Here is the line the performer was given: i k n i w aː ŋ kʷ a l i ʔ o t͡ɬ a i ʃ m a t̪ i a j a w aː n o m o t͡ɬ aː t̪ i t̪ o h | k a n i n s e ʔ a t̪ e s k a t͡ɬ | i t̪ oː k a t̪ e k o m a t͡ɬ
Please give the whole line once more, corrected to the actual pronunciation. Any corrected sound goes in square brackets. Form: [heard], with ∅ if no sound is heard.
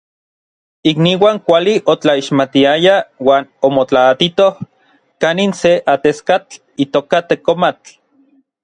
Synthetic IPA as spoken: i k n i w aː ŋ kʷ a l i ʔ o t͡ɬ a i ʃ m a t̪ i a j a w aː n o m o t͡ɬ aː t̪ i t̪ o h | k a n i n s e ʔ a t̪ e s k a t͡ɬ | i t̪ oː k a t̪ e k o m a t͡ɬ